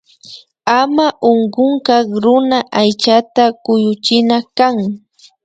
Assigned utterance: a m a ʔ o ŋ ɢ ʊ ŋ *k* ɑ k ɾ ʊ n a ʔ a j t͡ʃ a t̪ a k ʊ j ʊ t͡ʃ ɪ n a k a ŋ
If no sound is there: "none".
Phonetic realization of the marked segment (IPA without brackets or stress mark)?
k